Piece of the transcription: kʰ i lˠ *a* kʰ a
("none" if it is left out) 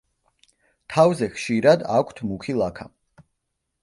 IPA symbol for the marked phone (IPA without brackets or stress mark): a